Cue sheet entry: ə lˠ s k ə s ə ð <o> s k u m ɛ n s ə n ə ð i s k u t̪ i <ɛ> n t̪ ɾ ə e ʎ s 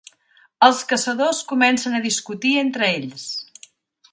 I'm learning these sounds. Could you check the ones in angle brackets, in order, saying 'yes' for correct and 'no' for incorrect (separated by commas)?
yes, no